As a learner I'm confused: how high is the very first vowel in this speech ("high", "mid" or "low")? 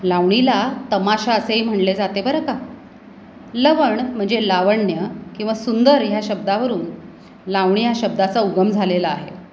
low